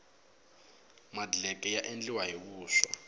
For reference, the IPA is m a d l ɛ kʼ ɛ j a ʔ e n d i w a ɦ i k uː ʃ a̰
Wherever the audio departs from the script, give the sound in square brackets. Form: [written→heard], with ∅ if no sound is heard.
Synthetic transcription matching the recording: m a d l ɛ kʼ ɛ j a ʔ e n [d→d͡ɮ] i w a ɦ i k uː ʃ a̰